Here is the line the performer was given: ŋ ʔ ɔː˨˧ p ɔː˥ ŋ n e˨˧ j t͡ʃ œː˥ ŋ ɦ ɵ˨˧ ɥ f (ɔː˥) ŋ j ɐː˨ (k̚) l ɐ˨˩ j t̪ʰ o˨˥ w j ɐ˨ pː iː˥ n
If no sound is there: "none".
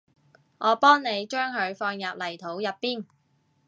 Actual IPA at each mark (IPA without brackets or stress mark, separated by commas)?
ɔː˧, p̚